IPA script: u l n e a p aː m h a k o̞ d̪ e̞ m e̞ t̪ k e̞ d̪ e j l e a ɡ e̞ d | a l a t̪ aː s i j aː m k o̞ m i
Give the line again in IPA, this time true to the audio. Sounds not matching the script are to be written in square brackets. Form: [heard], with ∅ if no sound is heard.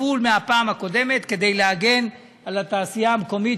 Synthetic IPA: u l [m] e a p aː m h a k o̞ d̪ e̞ m e̞ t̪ k e̞ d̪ e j l e a ɡ e̞ [n] | a l a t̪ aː s i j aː m k o̞ m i